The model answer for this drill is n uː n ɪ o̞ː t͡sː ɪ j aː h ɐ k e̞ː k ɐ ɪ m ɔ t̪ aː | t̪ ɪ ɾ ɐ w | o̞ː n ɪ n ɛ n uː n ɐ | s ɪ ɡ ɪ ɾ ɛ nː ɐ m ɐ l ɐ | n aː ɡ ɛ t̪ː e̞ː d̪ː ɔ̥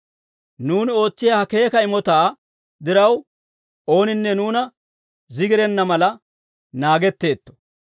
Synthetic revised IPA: n uː n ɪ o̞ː t͡sː ɪ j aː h ɐ k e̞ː k ɐ ɪ m ɔ t̪ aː | d̪ ɪ ɾ ɐ w | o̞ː n ɪ nː ɛ n uː n ɐ | z ɪ ɡ ɪ ɾ ɛ nː ɐ m ɐ l ɐ | n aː ɡ ɛ t̪ː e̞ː t̪ː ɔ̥